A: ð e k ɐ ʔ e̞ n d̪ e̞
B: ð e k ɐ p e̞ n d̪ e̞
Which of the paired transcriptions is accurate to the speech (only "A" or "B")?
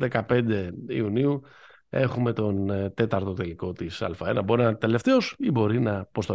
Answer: B